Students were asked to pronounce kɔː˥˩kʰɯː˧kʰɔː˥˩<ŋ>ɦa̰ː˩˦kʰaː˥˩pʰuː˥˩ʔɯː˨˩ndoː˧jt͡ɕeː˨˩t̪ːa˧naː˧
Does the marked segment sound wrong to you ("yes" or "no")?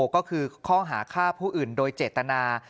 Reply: no